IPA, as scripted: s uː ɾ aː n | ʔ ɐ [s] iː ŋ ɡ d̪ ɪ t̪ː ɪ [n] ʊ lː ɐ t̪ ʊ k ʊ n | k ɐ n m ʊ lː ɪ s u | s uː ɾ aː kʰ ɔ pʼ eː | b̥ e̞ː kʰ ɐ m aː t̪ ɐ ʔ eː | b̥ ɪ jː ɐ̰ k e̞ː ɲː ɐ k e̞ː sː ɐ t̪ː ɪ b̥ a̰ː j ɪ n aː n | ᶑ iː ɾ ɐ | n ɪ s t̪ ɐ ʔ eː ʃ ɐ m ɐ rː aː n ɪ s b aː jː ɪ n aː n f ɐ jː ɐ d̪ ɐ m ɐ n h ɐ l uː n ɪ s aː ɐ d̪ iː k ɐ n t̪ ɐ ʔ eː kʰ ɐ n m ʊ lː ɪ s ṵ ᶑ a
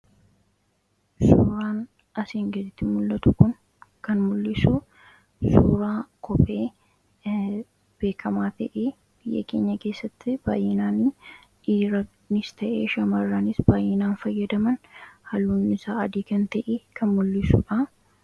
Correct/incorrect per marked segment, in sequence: correct, incorrect: m

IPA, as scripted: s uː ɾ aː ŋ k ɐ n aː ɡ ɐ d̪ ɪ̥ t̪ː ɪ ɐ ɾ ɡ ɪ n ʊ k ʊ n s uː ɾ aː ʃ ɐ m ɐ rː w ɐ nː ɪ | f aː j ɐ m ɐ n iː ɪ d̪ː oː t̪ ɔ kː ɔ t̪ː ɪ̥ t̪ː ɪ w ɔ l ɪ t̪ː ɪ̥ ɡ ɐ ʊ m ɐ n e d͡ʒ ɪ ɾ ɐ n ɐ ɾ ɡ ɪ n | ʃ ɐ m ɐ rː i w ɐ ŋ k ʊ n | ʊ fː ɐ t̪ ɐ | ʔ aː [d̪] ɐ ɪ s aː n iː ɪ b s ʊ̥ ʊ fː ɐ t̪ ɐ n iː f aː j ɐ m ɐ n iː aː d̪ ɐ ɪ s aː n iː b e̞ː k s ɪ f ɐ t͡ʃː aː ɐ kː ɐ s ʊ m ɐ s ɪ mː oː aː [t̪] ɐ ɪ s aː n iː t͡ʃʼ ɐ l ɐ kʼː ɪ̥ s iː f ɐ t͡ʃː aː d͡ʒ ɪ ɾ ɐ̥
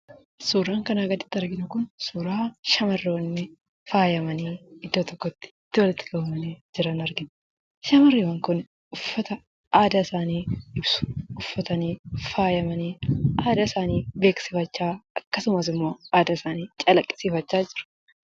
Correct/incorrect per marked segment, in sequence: correct, incorrect: d̪

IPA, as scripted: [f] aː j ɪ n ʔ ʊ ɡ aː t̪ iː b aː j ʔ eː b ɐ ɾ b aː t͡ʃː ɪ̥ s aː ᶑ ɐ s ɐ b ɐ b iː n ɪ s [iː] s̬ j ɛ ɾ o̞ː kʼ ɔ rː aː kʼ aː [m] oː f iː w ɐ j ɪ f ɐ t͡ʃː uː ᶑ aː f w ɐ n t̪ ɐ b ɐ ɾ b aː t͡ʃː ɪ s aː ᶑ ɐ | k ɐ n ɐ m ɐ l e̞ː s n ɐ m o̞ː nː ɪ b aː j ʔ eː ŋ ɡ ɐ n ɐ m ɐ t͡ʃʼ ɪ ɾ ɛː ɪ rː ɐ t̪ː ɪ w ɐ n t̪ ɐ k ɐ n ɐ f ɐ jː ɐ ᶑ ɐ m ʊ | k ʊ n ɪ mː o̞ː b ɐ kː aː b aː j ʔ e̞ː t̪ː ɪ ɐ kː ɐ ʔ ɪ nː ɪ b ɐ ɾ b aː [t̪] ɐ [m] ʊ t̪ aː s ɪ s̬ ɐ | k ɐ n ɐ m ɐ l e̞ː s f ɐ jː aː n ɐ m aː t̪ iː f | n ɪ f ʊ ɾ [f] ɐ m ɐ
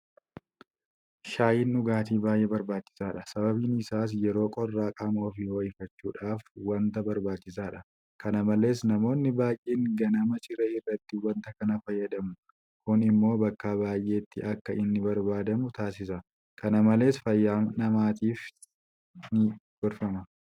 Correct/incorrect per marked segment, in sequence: incorrect: ʃ, incorrect: aː, correct, incorrect: d̪, correct, correct

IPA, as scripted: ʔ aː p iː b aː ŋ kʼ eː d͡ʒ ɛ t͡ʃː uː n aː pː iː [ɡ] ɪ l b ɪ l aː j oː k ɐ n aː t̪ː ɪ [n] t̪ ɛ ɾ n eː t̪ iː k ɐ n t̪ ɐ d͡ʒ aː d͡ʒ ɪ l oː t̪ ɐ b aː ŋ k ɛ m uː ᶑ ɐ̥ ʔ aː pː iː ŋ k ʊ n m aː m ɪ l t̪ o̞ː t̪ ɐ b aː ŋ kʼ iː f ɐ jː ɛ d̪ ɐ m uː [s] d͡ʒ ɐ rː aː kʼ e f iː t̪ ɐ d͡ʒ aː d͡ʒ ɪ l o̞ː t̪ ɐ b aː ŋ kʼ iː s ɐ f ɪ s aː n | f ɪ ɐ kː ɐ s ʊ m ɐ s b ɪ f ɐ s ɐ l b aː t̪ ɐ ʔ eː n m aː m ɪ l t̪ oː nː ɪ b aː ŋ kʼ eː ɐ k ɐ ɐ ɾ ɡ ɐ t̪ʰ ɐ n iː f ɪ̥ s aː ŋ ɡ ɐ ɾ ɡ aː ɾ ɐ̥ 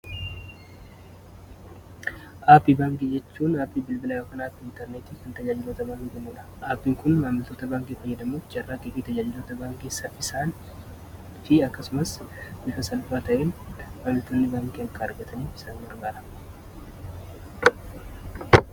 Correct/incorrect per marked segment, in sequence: incorrect: b, correct, incorrect: f

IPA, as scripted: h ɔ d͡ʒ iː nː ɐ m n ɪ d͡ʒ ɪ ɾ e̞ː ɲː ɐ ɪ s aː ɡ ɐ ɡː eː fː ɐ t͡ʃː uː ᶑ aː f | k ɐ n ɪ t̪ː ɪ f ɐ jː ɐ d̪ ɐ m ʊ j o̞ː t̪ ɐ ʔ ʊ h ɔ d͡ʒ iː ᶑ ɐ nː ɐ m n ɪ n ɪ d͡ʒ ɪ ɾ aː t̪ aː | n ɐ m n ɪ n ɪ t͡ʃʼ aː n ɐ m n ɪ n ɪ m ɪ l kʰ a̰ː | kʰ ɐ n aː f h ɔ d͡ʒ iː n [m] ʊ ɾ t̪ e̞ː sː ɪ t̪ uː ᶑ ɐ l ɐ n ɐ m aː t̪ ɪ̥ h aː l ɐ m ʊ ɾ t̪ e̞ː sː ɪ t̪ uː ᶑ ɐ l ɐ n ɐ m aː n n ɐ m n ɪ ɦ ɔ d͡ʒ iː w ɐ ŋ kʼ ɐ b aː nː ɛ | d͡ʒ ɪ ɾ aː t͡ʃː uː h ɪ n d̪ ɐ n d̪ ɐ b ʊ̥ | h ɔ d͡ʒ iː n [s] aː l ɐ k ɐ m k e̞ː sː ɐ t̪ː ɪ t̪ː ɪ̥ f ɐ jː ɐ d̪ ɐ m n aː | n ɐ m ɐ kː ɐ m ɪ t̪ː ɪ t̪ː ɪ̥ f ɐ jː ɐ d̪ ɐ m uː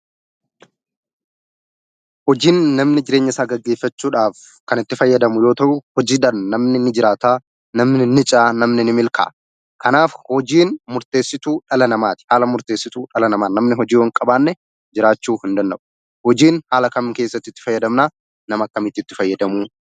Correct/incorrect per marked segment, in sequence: correct, incorrect: h

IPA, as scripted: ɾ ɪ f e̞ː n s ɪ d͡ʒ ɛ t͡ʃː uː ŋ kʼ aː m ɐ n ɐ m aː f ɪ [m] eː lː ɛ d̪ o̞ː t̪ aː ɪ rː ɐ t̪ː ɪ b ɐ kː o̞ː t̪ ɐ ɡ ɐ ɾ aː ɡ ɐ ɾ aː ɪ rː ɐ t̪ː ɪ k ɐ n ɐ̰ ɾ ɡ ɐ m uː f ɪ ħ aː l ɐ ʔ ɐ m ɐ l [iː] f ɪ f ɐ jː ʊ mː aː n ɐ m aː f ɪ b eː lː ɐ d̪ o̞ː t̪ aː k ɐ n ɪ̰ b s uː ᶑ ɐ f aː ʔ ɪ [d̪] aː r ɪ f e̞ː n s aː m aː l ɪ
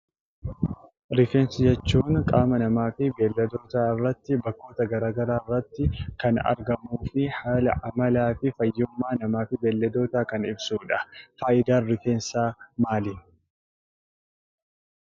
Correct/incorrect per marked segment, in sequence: incorrect: b, incorrect: aː, correct

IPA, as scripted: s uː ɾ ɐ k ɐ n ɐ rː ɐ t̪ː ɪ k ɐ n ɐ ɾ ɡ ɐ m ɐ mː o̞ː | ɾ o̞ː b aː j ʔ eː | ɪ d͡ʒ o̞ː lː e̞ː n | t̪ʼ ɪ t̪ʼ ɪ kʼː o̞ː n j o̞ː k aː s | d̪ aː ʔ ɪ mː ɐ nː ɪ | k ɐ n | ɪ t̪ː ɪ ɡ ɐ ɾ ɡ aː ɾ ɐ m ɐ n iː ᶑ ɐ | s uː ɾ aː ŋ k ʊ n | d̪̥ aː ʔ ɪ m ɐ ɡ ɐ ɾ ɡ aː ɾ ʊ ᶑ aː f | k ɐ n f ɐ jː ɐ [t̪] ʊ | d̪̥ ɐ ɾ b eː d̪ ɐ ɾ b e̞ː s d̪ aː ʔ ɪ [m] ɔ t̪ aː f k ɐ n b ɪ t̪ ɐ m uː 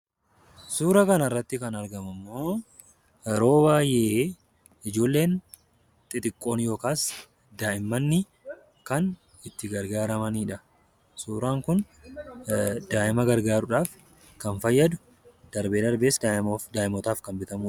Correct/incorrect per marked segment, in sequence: incorrect: d̪, correct

